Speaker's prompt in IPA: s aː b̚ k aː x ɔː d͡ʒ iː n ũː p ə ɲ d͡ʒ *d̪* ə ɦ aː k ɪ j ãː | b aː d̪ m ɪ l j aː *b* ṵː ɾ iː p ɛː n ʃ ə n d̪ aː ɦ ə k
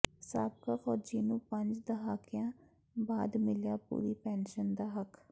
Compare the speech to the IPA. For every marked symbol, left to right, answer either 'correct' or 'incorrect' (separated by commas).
correct, incorrect